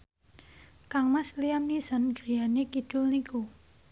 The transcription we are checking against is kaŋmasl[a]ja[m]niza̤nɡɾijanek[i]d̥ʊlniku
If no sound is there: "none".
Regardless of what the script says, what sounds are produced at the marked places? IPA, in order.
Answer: i, m, i

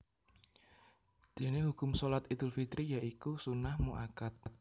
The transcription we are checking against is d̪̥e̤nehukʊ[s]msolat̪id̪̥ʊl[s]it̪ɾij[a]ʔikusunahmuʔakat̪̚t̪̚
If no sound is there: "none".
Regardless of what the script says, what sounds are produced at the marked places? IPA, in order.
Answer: none, f, a

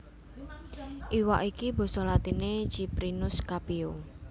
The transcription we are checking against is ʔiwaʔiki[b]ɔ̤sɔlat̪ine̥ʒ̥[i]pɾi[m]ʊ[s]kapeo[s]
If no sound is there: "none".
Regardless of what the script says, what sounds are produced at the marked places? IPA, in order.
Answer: b, i, n, s, none

